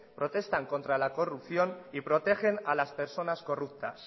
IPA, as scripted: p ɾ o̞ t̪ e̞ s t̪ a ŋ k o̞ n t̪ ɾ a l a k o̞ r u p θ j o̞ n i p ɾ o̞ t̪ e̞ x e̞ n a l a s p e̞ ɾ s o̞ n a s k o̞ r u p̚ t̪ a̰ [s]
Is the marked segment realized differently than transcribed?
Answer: no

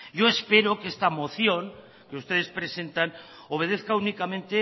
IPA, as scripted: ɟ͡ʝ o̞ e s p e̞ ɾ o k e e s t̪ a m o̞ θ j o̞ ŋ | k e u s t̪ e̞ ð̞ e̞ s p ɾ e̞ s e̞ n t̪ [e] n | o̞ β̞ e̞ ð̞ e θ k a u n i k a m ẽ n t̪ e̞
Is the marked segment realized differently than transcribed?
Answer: yes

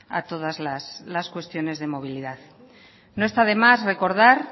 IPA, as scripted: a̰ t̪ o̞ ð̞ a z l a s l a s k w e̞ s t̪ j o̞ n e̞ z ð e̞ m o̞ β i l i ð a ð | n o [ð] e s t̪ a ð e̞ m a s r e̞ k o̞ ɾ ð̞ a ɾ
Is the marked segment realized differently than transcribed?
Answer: yes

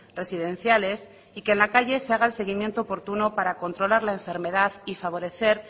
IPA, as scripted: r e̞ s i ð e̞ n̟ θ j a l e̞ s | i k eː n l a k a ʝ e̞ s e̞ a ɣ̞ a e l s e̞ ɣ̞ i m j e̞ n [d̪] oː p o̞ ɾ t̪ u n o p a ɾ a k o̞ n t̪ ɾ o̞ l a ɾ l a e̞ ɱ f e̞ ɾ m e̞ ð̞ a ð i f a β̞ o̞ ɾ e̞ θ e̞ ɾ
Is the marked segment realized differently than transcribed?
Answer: yes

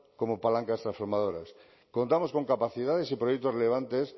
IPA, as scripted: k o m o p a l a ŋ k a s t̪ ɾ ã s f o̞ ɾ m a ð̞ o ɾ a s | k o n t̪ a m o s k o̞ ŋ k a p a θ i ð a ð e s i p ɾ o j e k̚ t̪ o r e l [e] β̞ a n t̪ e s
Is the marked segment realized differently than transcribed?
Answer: no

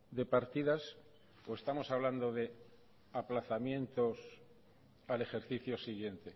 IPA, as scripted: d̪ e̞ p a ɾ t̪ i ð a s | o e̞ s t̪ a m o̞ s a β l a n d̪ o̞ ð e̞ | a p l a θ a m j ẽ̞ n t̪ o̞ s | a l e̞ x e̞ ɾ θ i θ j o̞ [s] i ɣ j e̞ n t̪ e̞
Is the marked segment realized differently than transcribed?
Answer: no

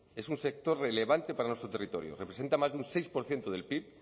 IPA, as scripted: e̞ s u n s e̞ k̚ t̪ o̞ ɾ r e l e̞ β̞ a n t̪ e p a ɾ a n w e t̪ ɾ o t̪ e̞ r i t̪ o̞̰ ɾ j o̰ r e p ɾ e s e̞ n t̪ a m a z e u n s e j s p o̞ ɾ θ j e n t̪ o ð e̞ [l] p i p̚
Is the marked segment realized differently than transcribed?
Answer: no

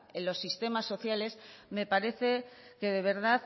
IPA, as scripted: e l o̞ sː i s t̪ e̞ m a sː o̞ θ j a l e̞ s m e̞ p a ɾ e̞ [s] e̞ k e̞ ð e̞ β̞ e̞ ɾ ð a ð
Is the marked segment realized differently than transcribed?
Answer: yes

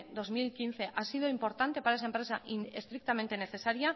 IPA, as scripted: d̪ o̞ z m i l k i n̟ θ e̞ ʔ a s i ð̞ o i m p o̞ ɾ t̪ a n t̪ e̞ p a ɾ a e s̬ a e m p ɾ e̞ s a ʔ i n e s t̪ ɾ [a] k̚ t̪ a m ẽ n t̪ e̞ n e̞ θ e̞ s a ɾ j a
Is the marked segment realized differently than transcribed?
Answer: yes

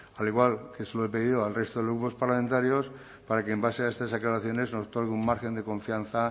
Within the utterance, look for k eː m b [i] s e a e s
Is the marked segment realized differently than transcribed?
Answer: yes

